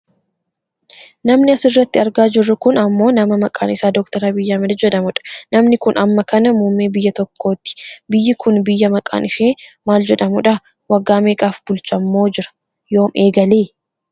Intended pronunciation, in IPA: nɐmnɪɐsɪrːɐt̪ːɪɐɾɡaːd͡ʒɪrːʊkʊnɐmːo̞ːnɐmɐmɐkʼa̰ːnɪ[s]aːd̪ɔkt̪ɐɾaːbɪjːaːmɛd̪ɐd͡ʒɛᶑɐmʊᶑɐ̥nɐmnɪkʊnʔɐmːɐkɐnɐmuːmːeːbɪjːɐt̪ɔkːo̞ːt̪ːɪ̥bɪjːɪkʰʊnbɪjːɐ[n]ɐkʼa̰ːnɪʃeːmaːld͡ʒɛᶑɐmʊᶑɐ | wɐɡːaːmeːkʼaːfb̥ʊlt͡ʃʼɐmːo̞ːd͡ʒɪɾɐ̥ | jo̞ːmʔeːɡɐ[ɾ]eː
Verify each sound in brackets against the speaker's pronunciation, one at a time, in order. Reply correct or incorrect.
correct, incorrect, incorrect

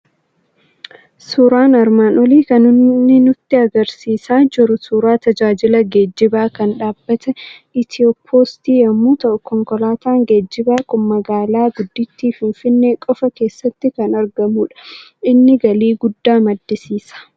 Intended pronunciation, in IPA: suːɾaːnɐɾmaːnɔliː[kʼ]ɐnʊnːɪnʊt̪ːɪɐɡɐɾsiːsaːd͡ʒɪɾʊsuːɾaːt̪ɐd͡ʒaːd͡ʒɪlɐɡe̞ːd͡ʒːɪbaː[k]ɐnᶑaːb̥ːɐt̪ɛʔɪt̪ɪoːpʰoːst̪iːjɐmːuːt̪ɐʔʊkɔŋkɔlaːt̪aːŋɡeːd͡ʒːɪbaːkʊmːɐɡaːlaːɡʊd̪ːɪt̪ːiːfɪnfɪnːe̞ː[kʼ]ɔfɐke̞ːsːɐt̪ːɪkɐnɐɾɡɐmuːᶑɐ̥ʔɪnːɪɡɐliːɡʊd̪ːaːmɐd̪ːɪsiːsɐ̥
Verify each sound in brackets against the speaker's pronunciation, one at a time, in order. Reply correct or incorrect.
incorrect, correct, correct

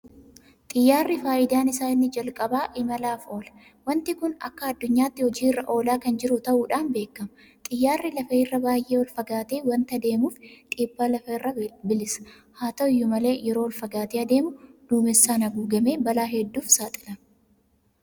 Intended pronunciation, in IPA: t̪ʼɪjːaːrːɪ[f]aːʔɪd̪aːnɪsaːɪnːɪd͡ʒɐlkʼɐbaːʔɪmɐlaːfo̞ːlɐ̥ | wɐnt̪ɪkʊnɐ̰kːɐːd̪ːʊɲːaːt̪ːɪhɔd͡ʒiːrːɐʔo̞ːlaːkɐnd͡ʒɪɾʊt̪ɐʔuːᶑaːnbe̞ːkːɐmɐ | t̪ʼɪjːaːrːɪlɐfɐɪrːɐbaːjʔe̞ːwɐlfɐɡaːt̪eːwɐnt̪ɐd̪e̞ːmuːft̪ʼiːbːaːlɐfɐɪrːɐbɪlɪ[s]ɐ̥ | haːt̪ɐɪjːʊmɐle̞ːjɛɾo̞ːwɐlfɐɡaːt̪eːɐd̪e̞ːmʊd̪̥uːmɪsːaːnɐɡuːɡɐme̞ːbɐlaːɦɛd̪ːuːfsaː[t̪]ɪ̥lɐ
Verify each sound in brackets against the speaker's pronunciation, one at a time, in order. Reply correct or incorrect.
correct, correct, incorrect

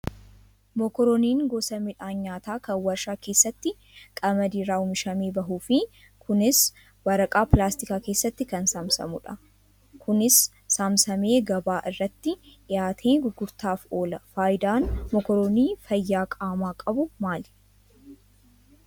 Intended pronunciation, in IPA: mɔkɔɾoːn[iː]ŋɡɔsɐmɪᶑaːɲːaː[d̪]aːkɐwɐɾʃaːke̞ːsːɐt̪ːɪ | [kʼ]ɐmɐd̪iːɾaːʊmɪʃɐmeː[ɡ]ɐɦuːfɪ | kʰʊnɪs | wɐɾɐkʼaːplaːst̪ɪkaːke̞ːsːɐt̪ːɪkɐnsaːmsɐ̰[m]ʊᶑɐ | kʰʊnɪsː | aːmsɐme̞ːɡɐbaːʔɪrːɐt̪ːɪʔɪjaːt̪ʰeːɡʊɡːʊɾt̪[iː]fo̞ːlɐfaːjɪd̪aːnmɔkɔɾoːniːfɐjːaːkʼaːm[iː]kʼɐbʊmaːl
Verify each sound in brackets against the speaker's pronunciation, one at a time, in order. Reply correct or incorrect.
correct, incorrect, correct, incorrect, correct, incorrect, incorrect

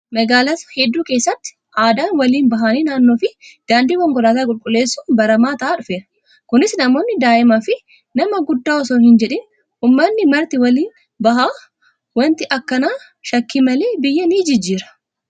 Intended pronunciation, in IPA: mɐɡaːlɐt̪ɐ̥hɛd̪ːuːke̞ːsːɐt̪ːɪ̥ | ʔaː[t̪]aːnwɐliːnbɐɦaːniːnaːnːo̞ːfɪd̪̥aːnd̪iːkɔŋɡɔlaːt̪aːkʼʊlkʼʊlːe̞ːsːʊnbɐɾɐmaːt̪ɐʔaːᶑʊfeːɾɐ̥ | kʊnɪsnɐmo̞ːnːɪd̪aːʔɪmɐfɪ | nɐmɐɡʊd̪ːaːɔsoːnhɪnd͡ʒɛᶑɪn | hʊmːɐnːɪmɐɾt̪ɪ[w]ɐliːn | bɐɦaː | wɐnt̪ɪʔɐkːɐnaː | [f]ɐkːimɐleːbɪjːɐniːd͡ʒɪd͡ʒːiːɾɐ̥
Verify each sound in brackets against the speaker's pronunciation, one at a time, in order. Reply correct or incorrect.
incorrect, correct, incorrect

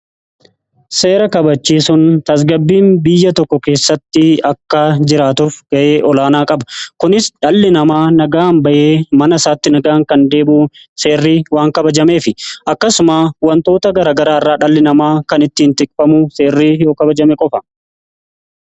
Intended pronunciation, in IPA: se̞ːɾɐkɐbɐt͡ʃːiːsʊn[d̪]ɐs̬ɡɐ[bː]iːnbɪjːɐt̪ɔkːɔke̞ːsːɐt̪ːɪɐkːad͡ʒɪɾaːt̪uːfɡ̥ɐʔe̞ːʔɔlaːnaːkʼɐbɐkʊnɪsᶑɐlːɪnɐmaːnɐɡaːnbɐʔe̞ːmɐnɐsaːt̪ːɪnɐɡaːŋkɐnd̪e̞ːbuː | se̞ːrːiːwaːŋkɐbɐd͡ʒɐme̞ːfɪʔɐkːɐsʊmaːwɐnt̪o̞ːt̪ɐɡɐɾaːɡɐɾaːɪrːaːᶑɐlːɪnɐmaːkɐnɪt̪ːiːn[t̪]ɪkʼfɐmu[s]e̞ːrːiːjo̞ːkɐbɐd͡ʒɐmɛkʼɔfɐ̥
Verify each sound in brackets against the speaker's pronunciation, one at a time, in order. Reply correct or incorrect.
incorrect, correct, correct, correct

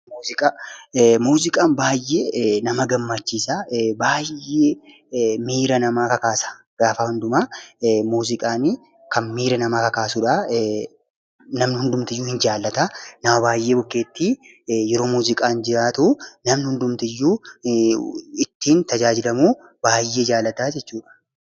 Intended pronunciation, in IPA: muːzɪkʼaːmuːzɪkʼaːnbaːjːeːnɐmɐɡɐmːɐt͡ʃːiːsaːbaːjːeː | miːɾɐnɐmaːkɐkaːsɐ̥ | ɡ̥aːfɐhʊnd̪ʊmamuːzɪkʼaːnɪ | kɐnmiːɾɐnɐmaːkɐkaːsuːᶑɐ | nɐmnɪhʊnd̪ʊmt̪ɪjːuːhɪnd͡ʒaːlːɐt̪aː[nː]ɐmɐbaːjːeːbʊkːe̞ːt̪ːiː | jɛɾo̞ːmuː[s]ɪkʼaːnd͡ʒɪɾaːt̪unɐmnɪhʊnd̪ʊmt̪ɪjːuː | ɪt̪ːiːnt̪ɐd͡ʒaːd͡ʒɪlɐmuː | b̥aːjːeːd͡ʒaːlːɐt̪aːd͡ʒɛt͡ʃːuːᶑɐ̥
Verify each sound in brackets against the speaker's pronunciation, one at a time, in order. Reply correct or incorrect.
incorrect, incorrect

